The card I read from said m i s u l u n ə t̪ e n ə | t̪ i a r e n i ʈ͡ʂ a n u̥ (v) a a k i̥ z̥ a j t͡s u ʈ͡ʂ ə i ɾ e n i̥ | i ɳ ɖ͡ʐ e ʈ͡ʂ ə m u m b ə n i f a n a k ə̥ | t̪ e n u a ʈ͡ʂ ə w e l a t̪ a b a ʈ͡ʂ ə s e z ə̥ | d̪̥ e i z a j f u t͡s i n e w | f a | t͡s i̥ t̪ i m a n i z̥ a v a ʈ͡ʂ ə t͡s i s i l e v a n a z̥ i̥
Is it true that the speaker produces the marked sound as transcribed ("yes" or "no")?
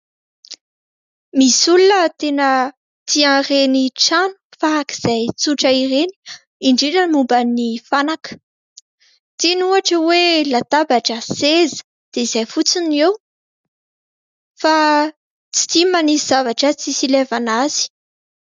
no